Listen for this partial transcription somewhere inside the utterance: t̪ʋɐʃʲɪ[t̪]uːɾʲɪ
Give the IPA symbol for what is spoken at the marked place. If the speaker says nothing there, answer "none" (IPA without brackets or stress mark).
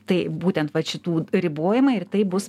t̪